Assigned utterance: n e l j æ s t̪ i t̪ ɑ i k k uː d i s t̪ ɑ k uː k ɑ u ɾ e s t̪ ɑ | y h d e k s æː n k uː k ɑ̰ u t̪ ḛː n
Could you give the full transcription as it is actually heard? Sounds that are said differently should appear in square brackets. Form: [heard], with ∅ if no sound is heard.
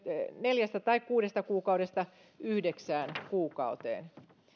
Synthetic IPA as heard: n e l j æ s t̪ [æ] t̪ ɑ i k k uː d [e] s t̪ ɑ k uː k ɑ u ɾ e s t̪ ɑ | y h d e k s æː n k uː k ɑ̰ u t̪ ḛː n